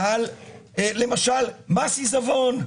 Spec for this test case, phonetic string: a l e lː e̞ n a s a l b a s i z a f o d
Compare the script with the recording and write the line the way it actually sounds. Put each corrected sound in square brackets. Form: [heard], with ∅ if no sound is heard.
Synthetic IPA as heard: a l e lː e̞ [m] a [ʃ] a l [m] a s i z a [v] o [n]